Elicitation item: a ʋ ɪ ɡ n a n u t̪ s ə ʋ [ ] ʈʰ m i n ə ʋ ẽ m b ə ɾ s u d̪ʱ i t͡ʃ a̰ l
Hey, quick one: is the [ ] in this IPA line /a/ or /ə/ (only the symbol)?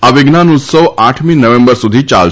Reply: a